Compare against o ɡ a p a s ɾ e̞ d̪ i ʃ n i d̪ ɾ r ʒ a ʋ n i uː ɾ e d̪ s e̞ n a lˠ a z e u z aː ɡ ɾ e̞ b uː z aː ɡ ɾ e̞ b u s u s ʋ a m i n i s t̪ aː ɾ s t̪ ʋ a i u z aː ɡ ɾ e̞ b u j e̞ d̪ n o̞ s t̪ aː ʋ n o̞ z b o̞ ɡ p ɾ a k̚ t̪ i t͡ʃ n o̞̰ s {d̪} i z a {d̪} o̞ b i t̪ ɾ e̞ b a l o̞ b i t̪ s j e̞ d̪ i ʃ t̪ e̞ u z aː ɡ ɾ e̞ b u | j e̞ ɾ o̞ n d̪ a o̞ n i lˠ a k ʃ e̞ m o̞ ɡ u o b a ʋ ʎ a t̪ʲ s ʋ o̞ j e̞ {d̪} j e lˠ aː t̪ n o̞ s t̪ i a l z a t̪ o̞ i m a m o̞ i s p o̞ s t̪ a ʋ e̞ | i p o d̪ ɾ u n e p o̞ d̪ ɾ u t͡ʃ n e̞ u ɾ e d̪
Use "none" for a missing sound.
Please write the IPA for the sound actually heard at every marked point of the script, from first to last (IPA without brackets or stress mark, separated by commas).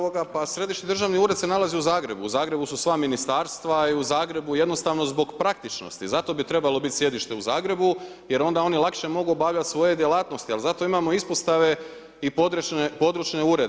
t̪, t̪, d̪